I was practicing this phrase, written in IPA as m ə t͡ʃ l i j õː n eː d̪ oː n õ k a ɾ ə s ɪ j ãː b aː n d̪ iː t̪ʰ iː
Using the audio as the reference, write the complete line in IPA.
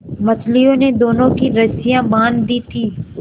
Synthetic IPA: m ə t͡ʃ l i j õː n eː d̪ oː n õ k i ɾ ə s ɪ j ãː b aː n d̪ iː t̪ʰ iː

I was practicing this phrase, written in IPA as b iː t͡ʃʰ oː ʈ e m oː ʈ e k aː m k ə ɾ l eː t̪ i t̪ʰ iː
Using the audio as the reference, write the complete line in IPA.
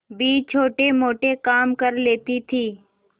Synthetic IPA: b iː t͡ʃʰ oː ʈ e m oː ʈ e k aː m k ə ɾ l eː t̪ i t̪ʰ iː

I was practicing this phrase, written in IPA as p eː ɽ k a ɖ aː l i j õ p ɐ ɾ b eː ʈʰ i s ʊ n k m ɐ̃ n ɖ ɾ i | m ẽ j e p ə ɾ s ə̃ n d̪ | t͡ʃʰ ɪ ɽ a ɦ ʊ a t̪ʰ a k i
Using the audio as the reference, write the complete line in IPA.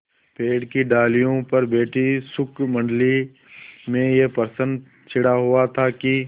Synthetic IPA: p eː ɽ k i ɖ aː l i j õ p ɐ ɾ b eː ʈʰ i s ʊ k m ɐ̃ ɳ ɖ l i | m ẽ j e p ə ɾ s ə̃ n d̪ | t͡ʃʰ ɪ ɽ a ɦ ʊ a t̪ʰ a k i

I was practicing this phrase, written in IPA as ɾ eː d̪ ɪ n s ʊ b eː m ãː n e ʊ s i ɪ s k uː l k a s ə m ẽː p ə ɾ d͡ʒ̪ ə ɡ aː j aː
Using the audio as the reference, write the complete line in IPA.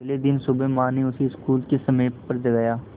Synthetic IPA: l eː d̪ ɪ n s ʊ b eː m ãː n e ʊ s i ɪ s k uː l k e s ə m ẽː p ə ɾ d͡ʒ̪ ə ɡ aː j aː

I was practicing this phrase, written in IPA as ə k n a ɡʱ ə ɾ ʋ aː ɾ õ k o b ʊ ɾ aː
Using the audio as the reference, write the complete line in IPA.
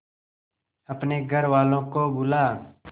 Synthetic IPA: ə p n e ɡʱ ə ɾ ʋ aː l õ k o b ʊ l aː

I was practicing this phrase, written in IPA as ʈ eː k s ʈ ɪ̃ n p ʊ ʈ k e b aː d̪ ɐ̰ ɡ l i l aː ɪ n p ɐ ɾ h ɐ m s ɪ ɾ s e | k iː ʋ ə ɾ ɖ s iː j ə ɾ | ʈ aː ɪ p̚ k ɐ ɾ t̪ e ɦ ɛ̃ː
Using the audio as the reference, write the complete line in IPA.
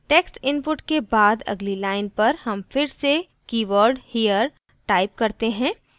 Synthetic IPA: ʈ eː k s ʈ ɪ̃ n p ʊ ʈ k e b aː d̪ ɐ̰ ɡ l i l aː ɪ n p ɐ ɾ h ɐ m f ɪ ɾ s e | k iː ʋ ə ɾ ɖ h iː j ə ɾ | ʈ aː ɪ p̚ k ɐ ɾ t̪ e ɦ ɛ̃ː

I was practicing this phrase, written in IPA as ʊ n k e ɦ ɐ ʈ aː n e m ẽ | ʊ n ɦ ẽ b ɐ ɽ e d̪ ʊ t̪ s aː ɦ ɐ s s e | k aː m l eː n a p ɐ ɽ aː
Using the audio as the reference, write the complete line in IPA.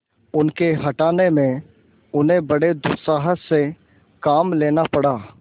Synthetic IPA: ʊ n k e ɦ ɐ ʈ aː n e m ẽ | ʊ n ɦ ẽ b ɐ ɽ e d̪ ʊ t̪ s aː ɦ ə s s e | k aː m l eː n a p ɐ ɽ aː

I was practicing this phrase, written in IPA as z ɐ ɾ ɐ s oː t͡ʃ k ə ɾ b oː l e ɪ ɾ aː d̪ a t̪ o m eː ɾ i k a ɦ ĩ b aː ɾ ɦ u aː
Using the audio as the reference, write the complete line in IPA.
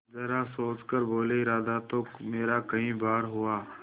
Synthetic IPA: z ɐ ɾ a s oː t͡ʃ k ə ɾ b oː l e ɪ ɾ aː d̪ a t̪ o m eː ɾ a k ɐ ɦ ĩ b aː ɾ ɦ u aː

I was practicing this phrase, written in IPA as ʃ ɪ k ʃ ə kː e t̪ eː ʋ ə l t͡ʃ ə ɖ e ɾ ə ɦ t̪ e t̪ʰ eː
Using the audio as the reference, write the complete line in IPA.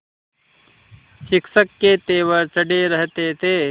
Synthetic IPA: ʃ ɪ k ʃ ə kː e t̪ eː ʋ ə ɾ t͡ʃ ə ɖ e ɾ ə ɦ t̪ e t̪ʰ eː

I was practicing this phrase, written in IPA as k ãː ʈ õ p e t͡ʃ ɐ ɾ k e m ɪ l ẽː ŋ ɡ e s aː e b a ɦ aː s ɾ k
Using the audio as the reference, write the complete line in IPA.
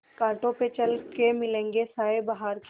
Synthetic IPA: k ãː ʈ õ p e t͡ʃ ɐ l k e m ɪ l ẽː ŋ ɡ e s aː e b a ɦ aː ɾ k

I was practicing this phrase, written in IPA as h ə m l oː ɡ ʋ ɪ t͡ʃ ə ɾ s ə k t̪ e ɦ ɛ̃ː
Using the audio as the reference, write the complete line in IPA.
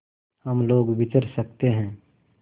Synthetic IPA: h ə m l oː ɡ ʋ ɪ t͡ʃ ə ɾ s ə k t̪ e ɦ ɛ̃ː

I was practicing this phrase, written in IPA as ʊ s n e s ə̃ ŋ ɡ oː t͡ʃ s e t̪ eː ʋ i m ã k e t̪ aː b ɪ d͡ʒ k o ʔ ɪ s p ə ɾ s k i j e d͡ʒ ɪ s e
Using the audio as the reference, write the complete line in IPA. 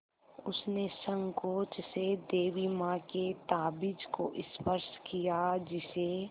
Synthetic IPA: ʊ s n e s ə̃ ŋ k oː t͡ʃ s e d̪ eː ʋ i m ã k e t̪ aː b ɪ d͡ʒ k o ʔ ɪ s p ə ɾ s k i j a d͡ʒ ɪ s e

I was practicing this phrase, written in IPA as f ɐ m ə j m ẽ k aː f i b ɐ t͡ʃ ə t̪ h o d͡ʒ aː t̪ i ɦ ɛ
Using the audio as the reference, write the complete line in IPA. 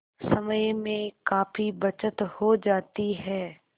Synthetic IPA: s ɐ m ə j m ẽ k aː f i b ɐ t͡ʃ ə t̪ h o d͡ʒ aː t̪ i ɦ ɛː

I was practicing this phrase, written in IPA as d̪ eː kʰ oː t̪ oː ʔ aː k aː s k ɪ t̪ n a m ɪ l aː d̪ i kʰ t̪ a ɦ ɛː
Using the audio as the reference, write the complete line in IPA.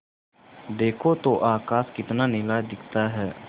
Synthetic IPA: d̪ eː kʰ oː t̪ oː ʔ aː k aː s k ɪ t̪ n a n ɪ l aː d̪ ɪ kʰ t̪ a ɦ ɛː

